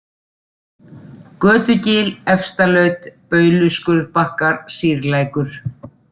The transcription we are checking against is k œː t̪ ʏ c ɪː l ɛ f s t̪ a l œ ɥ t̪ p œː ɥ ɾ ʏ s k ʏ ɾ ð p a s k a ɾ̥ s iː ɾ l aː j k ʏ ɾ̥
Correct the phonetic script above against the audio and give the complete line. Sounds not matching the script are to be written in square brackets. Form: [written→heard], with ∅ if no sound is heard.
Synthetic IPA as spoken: k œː t̪ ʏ c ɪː l ɛ f s t̪ a l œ ɥ t̪ p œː ɥ [ɾ→l] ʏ s k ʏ ɾ ð p a [s→h] k a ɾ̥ s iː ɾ l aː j k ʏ ɾ̥